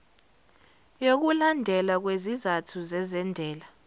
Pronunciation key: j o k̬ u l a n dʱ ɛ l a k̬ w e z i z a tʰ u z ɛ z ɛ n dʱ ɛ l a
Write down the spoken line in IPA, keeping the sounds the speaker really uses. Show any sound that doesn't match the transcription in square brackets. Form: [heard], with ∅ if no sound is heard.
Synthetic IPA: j o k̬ u l a n dʱ ɛ l a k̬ w e z i z a tʰ u z ɛ z ɛ n dʱ [ɛː] l a